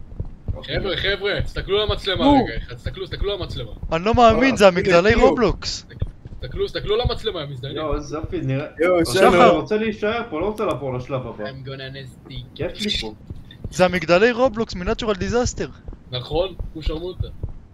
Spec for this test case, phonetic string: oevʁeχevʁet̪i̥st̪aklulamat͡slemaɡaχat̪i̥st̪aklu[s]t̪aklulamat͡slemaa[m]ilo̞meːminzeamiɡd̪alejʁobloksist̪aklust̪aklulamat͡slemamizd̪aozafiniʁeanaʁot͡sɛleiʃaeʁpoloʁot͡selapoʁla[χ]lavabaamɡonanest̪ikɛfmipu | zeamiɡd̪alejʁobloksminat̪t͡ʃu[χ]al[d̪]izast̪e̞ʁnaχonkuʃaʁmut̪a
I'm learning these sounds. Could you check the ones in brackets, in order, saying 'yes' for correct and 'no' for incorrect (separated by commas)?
yes, no, no, no, yes